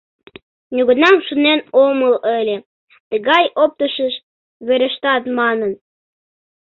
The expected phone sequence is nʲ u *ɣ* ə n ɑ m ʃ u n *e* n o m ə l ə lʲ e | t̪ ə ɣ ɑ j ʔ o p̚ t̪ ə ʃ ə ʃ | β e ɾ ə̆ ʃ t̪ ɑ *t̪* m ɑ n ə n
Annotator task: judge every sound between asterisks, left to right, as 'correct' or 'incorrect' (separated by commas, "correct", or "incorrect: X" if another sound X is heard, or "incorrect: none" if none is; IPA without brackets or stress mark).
correct, correct, correct